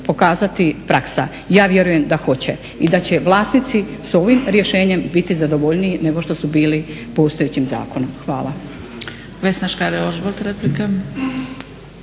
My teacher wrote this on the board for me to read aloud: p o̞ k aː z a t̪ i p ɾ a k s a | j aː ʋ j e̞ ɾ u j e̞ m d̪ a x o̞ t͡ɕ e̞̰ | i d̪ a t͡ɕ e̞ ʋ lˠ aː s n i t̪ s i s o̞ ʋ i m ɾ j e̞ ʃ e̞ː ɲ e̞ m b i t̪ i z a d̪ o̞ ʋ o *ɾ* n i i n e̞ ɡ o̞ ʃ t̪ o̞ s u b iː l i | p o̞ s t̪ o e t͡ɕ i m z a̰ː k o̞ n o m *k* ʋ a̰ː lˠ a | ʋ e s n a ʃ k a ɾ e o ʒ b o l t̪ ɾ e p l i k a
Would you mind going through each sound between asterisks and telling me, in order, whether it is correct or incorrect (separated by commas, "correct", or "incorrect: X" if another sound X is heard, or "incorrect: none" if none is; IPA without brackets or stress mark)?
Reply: incorrect: ʎ, incorrect: x